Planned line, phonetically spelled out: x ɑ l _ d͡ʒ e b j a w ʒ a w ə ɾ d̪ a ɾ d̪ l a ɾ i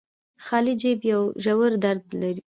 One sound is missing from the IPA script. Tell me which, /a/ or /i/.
i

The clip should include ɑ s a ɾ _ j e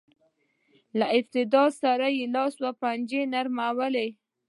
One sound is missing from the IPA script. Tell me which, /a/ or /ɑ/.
a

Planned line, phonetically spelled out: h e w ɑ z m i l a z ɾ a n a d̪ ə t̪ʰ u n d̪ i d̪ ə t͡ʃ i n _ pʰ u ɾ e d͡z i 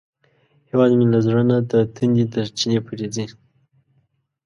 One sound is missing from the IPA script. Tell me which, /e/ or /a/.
e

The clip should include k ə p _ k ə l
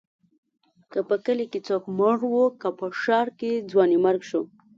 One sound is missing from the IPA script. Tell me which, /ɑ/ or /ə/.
ə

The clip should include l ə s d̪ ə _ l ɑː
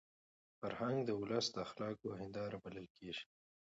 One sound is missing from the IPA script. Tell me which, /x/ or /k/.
x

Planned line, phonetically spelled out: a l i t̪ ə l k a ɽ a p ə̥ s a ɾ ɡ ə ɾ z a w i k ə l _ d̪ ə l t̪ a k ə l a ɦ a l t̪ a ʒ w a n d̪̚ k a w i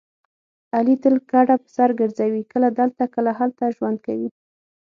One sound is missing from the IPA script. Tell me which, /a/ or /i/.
a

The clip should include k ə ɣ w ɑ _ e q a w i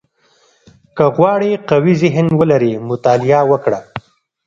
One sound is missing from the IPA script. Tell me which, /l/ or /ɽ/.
ɽ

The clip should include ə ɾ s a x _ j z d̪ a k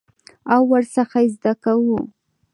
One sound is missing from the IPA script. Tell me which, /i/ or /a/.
a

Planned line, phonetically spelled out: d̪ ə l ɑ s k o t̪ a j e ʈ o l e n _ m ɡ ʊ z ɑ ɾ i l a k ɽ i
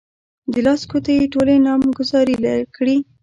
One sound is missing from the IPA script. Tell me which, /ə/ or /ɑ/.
ɑ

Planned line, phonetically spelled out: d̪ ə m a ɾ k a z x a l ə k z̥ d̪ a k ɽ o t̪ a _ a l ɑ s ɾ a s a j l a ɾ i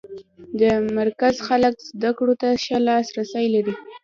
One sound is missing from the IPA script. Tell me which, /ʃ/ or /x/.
ʃ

